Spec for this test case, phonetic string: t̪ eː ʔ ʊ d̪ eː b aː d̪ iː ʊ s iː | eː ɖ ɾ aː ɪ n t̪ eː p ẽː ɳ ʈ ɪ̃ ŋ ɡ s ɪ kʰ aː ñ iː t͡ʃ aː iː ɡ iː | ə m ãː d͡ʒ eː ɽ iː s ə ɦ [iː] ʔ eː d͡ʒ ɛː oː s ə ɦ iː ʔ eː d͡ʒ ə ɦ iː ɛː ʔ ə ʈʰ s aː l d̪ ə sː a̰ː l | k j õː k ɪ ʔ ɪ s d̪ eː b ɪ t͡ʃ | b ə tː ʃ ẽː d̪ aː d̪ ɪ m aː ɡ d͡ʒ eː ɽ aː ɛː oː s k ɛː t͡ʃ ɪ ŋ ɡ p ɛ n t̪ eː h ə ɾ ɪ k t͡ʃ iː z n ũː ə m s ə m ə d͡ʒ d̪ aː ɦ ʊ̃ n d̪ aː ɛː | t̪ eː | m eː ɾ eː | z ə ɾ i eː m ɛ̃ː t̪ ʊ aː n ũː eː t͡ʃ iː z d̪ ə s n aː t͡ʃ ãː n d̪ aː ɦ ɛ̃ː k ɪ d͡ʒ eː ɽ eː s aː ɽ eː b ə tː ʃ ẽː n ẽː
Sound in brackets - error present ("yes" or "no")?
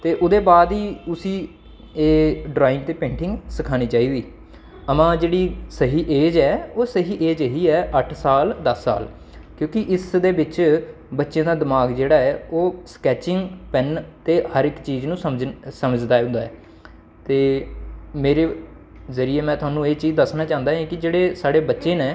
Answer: no